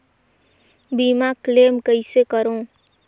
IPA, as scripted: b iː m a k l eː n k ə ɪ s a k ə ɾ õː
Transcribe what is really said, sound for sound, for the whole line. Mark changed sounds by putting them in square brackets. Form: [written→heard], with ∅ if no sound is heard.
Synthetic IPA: b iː m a k l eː [n→m] k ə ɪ s [a→e] k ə ɾ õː